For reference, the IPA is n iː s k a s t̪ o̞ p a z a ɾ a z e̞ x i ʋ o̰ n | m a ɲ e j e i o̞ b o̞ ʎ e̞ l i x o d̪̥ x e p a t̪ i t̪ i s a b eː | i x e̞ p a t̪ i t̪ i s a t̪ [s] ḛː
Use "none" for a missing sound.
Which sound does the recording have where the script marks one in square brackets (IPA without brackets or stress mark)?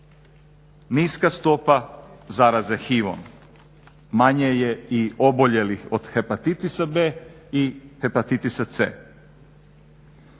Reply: s